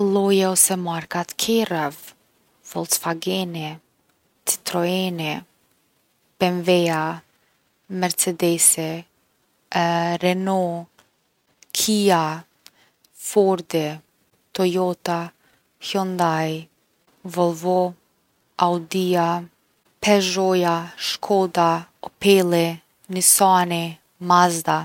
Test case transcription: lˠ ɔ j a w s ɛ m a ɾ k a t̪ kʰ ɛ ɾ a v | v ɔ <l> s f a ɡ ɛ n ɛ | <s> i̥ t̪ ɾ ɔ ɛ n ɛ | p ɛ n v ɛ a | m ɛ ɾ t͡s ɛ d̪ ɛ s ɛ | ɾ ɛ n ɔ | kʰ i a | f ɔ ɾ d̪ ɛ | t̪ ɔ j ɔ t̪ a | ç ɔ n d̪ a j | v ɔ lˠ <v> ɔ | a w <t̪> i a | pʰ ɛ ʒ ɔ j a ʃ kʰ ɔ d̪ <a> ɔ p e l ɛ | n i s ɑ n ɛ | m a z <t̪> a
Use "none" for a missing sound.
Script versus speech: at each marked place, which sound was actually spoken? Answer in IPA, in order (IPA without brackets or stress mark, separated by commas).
l, t͡s, v, d̪, a, d̪